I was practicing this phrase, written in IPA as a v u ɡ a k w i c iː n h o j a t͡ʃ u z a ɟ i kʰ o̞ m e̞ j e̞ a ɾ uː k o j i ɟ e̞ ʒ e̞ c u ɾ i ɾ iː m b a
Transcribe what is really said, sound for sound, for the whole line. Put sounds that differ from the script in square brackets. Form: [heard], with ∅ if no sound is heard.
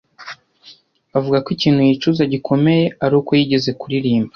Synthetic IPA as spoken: a v u ɡ a k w i c iː n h [u] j [i] t͡ʃ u z a ɟ i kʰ o̞ m e̞ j e̞ a ɾ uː k o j i ɟ e̞ [z] e̞ [k] u ɾ i ɾ iː m b a